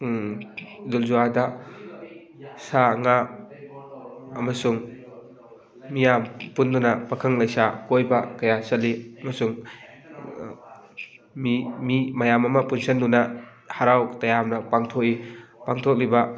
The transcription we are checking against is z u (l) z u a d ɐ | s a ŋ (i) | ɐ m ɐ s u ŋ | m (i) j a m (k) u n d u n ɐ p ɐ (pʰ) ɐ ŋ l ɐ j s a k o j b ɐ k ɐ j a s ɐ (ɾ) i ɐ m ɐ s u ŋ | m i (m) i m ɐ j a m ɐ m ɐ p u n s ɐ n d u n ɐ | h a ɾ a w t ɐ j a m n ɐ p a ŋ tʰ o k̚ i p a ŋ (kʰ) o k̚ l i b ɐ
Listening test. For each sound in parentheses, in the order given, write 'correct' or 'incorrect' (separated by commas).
correct, incorrect, correct, incorrect, incorrect, incorrect, correct, incorrect